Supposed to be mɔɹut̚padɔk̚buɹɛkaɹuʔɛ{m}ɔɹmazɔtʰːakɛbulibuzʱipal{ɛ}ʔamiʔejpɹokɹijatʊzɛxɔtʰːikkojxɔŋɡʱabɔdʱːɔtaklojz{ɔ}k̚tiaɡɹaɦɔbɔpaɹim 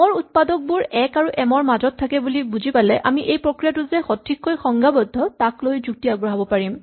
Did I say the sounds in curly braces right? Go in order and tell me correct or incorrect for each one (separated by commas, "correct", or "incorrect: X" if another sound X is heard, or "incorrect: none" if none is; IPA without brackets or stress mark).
correct, correct, incorrect: u